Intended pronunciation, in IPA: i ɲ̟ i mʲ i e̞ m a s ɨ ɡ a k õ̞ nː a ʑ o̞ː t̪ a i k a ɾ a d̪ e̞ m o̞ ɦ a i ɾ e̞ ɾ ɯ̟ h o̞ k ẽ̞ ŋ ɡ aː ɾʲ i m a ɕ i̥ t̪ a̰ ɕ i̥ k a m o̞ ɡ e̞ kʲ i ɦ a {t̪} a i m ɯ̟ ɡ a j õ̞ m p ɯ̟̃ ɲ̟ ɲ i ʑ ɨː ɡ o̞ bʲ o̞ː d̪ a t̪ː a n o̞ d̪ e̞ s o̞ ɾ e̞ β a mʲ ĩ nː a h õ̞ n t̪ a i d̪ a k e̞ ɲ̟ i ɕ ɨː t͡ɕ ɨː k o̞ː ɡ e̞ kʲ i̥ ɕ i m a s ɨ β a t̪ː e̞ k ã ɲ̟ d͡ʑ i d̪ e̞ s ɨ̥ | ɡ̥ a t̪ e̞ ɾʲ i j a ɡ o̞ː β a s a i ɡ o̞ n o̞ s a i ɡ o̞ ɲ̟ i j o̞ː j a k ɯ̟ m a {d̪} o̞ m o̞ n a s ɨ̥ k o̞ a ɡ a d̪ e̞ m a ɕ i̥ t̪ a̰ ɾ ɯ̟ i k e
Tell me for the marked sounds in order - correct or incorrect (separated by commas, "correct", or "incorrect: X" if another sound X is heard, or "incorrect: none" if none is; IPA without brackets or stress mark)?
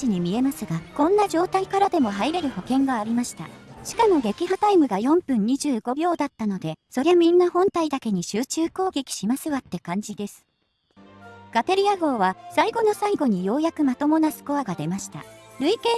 correct, incorrect: t̪